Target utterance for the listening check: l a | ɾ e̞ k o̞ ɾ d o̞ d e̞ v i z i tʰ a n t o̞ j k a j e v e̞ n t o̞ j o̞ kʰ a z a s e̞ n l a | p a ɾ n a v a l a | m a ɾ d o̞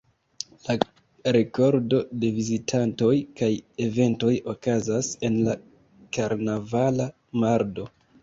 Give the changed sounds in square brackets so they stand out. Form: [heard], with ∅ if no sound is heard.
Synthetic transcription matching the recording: l a | ɾ e̞ k o̞ ɾ d o̞ d e̞ v i z i tʰ a n t o̞ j k a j e v e̞ n t o̞ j o̞ [k] a z a s e̞ n l a | [k] a ɾ n a v a l a | m a ɾ d o̞